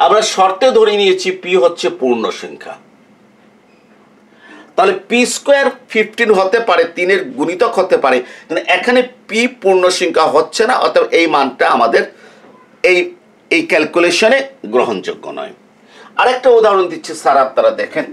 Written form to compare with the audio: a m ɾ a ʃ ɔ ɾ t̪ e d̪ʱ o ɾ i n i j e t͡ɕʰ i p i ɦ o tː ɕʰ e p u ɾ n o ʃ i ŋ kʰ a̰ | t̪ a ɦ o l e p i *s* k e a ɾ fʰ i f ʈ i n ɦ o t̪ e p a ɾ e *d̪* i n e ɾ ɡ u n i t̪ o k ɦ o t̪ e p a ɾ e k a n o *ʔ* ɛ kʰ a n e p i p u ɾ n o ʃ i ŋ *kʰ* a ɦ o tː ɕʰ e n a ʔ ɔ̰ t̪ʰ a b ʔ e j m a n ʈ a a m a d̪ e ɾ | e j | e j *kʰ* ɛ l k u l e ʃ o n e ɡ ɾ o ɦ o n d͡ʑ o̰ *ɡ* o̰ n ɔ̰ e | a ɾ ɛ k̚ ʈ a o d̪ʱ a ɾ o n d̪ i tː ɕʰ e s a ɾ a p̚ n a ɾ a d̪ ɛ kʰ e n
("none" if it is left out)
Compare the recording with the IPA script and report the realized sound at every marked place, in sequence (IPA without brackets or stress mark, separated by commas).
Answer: s, t̪, ʔ, kʰ, k, ɡː